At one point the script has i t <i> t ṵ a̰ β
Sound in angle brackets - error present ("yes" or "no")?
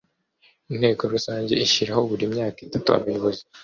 yes